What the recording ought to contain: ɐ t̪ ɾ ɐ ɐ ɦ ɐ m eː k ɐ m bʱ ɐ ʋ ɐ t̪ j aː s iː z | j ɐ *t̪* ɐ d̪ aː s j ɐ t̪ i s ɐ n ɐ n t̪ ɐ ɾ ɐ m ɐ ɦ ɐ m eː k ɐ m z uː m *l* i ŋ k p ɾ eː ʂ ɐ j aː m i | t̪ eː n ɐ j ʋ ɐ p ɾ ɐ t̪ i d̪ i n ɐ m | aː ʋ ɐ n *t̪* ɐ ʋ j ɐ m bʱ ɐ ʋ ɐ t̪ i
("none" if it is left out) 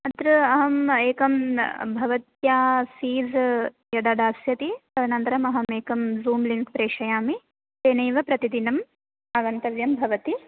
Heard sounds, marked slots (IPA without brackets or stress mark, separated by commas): d̪, l, t̪